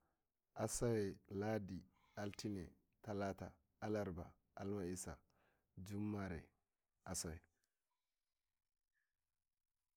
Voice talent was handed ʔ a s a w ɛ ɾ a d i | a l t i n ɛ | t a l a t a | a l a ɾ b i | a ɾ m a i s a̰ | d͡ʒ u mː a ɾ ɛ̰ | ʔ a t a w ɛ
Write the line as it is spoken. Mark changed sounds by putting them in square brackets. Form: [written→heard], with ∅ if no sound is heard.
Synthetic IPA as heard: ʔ a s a w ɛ [ɾ→l] a d i | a l t i n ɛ | t a l a t a | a l a ɾ b [i→a] | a [ɾ→l] m a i s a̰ | d͡ʒ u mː a ɾ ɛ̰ | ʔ a [t→s] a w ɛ